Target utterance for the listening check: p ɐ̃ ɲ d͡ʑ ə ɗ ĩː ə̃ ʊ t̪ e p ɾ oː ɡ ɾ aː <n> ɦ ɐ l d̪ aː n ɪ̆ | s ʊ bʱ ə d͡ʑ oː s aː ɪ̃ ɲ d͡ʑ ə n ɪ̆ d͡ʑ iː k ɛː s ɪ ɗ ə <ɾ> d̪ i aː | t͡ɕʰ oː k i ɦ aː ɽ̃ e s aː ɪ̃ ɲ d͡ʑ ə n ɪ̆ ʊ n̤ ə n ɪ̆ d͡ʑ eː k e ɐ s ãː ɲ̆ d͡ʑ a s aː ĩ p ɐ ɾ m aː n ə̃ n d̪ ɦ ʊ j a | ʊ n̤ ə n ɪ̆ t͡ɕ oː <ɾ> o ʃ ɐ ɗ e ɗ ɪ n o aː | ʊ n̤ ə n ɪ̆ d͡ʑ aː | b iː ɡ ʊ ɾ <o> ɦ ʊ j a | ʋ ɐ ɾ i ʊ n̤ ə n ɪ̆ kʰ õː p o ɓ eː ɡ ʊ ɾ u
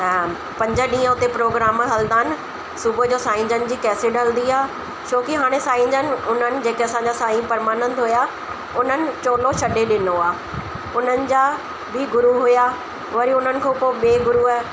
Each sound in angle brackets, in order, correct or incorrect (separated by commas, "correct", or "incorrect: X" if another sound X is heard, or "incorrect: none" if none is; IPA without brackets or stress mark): incorrect: m, incorrect: l, incorrect: l, incorrect: u